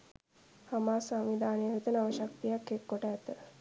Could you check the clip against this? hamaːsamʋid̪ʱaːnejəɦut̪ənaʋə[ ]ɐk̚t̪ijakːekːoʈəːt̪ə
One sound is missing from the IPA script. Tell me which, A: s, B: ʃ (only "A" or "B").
B